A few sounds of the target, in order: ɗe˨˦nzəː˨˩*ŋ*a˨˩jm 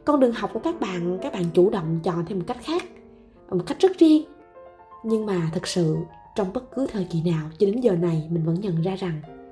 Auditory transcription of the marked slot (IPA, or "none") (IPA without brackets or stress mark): n